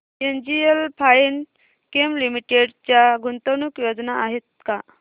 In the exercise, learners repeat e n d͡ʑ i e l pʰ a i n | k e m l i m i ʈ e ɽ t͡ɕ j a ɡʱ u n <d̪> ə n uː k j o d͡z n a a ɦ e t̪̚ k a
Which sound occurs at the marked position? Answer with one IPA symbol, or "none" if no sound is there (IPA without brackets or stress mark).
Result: t̪